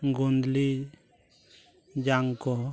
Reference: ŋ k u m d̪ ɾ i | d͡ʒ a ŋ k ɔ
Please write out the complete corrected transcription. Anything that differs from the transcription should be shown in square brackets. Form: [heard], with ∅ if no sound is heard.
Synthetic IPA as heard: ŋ [ɡ] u [n] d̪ [l] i | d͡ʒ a ŋ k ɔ